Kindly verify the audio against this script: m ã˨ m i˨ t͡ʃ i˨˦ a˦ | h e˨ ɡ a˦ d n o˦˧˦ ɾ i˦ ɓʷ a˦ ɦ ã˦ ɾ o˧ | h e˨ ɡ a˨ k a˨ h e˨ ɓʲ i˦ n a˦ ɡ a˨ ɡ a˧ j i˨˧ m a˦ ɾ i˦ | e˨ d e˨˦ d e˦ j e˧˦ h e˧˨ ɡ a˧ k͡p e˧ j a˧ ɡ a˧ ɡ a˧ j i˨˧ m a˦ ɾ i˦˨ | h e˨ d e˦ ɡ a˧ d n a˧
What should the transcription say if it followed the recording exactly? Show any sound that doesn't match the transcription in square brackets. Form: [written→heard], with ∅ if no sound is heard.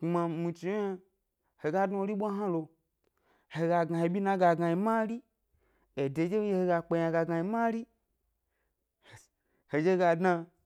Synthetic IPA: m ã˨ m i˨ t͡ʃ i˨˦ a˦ | h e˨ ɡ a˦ d n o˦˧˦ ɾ i˦ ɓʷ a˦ ɦ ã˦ [ɾ→l] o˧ | h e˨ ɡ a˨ [k→ɡ] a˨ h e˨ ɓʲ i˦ n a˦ ɡ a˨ ɡ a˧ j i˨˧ m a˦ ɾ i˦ | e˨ d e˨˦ [d→d͡ʒ] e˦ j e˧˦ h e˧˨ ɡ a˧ k͡p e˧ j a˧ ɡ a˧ ɡ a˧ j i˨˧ m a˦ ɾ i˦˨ | h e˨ [d→d͡ʒ] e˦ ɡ a˧ d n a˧